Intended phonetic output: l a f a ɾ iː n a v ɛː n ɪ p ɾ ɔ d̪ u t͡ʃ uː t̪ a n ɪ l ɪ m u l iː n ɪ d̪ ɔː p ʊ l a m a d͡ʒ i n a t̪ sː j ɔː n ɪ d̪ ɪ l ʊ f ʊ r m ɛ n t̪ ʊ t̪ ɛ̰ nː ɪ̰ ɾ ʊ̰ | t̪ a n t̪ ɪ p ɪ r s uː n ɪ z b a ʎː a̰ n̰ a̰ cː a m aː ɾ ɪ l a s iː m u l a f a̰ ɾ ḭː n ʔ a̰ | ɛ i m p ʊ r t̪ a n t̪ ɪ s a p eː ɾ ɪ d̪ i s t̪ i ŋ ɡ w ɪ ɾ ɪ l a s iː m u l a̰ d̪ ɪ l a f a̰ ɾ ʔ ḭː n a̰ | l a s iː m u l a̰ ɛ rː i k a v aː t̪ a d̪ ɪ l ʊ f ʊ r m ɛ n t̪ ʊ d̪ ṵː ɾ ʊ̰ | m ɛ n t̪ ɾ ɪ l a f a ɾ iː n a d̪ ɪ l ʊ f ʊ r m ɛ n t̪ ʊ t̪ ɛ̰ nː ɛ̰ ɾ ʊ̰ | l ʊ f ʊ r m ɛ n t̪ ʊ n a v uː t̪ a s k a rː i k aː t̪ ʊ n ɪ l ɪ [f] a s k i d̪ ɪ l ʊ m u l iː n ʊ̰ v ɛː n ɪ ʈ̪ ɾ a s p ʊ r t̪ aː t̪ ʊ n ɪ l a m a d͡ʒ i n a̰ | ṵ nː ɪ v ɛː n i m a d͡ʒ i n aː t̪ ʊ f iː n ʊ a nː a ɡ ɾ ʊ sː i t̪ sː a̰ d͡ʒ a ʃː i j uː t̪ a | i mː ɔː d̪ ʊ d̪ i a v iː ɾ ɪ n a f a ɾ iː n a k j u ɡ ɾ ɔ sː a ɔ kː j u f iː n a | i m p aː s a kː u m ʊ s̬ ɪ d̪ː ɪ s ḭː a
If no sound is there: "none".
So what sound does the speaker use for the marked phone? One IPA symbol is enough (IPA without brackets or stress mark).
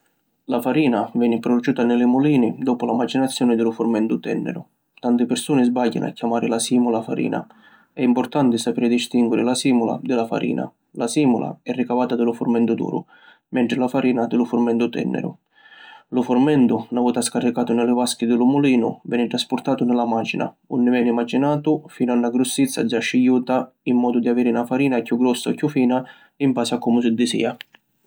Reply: v